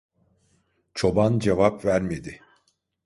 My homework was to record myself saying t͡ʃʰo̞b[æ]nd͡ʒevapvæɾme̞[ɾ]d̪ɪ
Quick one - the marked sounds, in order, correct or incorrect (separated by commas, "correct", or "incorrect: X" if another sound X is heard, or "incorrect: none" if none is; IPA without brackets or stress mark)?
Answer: incorrect: a, incorrect: none